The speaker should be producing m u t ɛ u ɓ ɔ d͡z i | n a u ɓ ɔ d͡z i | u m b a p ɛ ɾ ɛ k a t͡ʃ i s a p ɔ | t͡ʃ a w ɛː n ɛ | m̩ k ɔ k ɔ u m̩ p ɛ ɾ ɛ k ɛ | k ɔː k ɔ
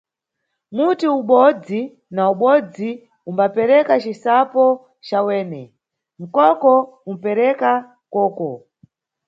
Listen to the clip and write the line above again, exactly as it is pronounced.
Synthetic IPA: m u t i u ɓ ɔ d͡z i | n a u ɓ ɔ d͡z i | u m b a p ɛ ɾ ɛ k a t͡ʃ i s a p ɔ | t͡ʃ a w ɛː n ɛ | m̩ k ɔ k ɔ u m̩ p ɛ ɾ ɛ k a | k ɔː k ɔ